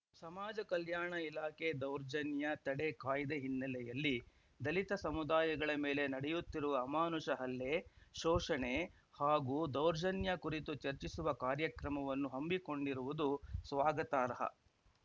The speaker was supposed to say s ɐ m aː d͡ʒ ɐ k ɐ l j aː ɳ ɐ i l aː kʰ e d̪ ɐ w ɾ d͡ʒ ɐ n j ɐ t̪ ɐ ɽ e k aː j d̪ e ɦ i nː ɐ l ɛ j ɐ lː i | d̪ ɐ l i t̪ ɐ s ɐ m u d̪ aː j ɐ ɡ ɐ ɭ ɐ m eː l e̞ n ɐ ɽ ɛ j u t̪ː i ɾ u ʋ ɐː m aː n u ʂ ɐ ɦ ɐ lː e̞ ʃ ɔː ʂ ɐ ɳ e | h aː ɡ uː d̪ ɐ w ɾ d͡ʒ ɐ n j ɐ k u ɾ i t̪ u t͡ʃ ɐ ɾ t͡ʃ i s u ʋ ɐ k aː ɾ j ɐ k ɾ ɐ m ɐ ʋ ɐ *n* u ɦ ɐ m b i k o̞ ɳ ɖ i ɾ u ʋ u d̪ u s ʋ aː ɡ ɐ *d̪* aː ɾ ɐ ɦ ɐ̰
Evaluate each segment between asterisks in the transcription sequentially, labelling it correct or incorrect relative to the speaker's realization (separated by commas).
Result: incorrect, incorrect